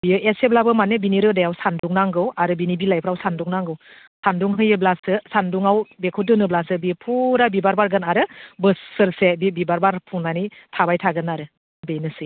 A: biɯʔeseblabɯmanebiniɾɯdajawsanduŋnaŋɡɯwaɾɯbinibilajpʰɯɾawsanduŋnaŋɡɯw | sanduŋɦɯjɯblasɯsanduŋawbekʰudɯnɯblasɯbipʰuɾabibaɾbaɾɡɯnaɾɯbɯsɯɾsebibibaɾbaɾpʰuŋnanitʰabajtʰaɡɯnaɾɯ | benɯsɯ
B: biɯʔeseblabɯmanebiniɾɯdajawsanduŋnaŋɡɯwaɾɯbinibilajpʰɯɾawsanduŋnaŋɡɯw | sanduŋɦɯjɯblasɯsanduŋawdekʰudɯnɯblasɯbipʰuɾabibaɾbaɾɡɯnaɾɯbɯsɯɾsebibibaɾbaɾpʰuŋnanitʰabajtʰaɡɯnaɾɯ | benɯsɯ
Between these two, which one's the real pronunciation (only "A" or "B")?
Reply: A